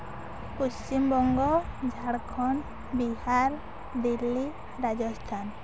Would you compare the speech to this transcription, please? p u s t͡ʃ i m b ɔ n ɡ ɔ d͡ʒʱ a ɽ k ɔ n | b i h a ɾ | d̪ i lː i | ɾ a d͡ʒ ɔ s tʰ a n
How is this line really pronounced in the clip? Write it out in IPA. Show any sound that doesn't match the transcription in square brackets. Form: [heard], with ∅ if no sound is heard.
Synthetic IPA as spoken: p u s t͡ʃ i m b ɔ [ŋ] ɡ ɔ d͡ʒʱ a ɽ [kʰ] ɔ n | b i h a ɾ | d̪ i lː i | ɾ a d͡ʒ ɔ s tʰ a n

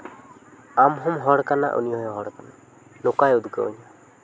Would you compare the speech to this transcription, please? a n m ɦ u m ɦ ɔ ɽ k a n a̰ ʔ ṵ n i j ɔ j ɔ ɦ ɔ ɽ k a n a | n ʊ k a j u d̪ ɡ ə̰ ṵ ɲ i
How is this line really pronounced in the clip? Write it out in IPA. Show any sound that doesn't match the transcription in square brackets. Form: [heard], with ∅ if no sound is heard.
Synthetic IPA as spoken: a [∅] m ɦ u m ɦ ɔ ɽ k a n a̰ ʔ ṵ n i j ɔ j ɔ ɦ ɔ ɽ k a n a | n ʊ k a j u d̪ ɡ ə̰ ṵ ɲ [a]

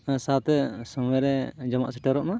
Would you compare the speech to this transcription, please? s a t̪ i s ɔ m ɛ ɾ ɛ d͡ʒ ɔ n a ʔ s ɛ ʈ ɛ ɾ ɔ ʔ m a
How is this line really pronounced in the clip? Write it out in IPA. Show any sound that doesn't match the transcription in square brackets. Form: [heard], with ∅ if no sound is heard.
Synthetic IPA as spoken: s a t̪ [ɛ] s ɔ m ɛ ɾ ɛ d͡ʒ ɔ [m] a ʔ s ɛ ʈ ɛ ɾ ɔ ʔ m a

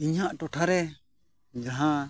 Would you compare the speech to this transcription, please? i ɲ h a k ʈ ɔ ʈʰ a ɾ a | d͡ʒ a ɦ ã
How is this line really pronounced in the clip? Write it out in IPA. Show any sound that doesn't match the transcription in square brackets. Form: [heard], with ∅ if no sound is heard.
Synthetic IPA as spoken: i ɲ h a [ʔ] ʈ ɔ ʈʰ a ɾ [ɛ] | d͡ʒ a ɦ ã

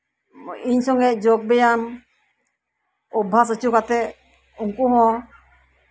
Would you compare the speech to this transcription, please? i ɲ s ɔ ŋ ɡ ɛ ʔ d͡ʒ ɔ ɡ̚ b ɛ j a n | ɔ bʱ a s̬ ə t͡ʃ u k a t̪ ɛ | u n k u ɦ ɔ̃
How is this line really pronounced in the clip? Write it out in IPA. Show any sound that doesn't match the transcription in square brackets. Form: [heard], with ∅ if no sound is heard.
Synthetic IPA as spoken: i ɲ s ɔ ŋ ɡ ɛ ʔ d͡ʒ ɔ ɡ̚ b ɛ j a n | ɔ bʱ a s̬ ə t͡ʃ u k a t̪ ɛ | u [ŋ] k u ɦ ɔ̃

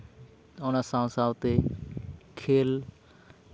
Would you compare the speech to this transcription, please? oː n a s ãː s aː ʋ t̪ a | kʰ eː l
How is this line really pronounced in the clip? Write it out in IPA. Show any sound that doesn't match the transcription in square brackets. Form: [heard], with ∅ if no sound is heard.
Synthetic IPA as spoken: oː n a s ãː s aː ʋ t̪ [e] | kʰ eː l

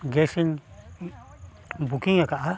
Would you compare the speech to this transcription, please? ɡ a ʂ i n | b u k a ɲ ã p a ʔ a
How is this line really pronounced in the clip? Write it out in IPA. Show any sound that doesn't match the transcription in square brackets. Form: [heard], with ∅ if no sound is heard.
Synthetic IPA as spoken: ɡ [e] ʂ i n | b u k [i] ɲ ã [k] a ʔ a

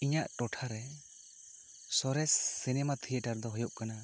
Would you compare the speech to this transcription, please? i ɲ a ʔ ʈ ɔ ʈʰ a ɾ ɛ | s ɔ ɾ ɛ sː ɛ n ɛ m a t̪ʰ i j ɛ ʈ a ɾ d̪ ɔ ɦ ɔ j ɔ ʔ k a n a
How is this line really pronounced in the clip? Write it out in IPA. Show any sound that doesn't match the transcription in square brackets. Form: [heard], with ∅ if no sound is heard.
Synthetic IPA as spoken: i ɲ a ʔ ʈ ɔ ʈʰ a ɾ ɛ | s ɔ ɾ ɛ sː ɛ n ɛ m a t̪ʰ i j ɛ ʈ a ɾ d̪ ɔ ɦ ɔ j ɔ ʔ k a n a

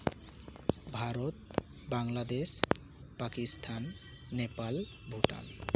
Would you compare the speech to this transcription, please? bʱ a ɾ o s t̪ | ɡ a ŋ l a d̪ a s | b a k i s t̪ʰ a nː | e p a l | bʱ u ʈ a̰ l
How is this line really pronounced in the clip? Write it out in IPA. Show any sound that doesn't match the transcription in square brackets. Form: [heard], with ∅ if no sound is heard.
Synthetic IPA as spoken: bʱ a ɾ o [∅] t̪ | [b] a ŋ l a d̪ [e] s | [p] a k i s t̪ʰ a nː | e p a l | bʱ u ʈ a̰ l

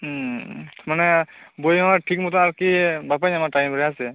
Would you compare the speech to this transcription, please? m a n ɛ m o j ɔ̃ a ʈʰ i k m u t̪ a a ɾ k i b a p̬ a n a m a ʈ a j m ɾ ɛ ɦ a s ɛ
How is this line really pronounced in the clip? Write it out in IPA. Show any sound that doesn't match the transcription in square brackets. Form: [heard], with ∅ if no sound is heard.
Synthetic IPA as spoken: m a n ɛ [b] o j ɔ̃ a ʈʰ i k m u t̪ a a ɾ k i b a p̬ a [ɲ] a m a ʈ a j m ɾ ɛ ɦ a s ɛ

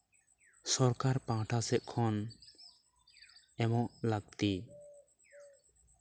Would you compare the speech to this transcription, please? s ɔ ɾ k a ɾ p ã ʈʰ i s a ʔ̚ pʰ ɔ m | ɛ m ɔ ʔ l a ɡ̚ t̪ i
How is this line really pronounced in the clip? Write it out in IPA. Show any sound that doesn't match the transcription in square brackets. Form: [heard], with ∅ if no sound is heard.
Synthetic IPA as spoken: s ɔ ɾ k a ɾ p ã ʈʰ [a] s [ɛ] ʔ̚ [kʰ] ɔ [n] | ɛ m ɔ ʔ l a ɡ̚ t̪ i

